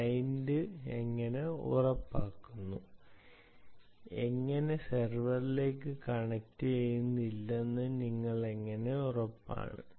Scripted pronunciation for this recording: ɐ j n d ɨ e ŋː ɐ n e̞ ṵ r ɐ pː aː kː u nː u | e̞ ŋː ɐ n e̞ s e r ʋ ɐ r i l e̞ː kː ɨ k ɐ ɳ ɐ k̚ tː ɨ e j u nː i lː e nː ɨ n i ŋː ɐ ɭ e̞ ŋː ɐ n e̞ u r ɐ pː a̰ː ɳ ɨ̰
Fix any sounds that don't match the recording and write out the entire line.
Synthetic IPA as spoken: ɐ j n d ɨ e ŋː ɐ n e̞ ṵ r ɐ pː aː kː u nː u | e̞ ŋː ɐ n e̞ s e r ʋ ɐ r i l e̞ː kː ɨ k ɐ ɳ ɐ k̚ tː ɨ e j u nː i lː e nː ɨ n i ŋː ɐ ɭ e̞ ŋː ɐ n e̞ u r ɐ pː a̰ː ɳ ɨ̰

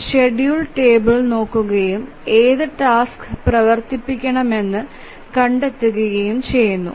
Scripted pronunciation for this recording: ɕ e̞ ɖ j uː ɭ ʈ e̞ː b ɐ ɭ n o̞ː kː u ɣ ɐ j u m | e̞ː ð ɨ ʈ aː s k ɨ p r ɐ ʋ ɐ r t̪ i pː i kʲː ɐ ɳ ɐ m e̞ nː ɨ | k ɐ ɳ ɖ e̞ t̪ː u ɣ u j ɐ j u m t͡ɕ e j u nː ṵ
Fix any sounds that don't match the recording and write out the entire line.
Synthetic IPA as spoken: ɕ e̞ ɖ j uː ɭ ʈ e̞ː b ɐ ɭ n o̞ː kː u ɣ ɐ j u m | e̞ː ð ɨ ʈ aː s k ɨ p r ɐ ʋ ɐ r t̪ i pː i kʲː ɐ ɳ ɐ m e̞ nː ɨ | k ɐ ɳ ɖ e̞ t̪ː u ɣ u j ɐ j u m t͡ɕ e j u nː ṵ

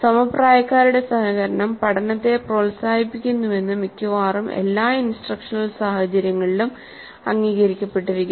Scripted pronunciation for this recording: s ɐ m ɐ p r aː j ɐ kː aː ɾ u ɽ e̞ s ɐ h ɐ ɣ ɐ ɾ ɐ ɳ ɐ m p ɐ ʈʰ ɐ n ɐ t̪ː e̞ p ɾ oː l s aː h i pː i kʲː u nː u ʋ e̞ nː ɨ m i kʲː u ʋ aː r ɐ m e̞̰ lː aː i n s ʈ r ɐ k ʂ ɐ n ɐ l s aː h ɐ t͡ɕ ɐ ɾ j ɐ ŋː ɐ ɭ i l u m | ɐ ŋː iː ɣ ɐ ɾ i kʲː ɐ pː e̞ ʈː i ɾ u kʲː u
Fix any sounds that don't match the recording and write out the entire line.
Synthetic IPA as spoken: s ɐ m ɐ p r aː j ɐ kː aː ɾ u ɽ e̞ s ɐ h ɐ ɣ ɐ ɾ ɐ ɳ ɐ m p ɐ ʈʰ ɐ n ɐ t̪ː e̞ p r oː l s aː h i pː i kʲː u nː u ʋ e̞ nː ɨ m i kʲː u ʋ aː r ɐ m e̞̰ lː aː i n s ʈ r ɐ k ʂ ɐ n ɐ l s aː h ɐ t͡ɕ ɐ ɾ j ɐ ŋː ɐ ɭ i l u m | ɐ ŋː iː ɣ ɐ ɾ i kʲː ɐ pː e̞ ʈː i ɾ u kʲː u

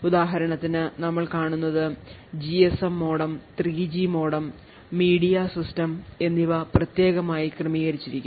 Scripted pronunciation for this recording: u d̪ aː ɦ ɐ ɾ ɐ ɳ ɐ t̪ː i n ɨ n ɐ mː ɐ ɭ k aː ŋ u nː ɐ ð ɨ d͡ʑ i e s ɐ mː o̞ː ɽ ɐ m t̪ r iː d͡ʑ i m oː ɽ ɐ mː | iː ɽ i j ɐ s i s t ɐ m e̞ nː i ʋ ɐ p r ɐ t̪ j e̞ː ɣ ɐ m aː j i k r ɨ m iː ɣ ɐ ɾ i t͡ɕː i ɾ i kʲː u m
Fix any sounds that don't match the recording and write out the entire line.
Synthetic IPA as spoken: u d̪ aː ɦ ɐ ɾ ɐ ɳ ɐ t̪ː i n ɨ n ɐ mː ɐ ɭ k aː ɳ u nː ɐ ð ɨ d͡ʑ i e s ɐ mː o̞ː ɽ ɐ m t̪ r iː d͡ʑ i m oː ɽ ɐ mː | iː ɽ i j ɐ s i s t ɐ m e̞ nː i ʋ ɐ p r ɐ t̪ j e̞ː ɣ ɐ m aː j i k r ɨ m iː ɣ ɐ ɾ i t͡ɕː i ɾ i kʲː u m

